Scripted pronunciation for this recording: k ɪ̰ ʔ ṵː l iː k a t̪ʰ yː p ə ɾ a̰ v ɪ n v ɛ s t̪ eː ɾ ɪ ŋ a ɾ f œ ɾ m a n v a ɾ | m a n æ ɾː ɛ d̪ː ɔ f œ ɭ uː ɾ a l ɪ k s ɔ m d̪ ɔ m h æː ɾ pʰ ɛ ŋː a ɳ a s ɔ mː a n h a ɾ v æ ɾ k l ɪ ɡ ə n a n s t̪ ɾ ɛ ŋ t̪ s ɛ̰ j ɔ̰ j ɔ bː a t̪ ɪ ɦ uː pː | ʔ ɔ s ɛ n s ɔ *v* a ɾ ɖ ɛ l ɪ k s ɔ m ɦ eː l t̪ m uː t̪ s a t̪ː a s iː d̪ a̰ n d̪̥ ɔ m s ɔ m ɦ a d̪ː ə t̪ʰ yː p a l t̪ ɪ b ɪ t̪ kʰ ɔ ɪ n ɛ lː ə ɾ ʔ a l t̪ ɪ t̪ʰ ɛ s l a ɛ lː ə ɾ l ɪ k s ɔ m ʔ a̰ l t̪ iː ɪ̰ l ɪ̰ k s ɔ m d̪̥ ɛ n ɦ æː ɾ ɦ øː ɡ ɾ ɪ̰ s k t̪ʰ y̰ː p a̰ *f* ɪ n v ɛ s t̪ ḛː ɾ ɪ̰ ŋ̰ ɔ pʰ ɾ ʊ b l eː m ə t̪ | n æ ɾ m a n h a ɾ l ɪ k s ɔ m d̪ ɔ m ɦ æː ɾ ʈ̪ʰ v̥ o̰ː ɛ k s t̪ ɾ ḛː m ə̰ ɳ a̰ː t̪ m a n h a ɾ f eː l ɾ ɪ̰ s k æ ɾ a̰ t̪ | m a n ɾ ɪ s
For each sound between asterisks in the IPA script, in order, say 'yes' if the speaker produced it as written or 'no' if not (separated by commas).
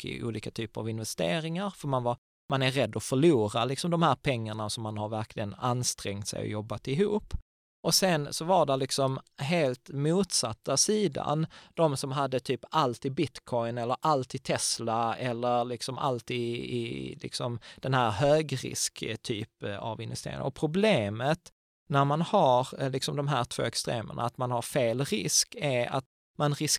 yes, no